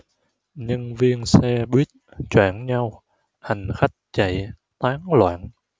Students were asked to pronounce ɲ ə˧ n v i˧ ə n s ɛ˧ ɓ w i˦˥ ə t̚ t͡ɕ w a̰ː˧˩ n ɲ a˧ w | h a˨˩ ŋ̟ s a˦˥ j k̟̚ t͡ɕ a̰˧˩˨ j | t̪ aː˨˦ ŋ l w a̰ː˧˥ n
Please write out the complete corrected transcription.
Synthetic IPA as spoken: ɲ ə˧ n v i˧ ə n s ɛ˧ ɓ w i˦˥ ə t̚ t͡ɕ w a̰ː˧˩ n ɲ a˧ w | h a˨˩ ŋ̟ x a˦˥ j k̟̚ t͡ɕ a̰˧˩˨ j | t̪ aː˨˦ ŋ l w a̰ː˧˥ n